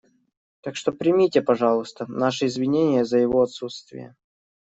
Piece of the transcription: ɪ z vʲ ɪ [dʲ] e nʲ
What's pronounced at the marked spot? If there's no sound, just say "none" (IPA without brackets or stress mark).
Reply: nʲ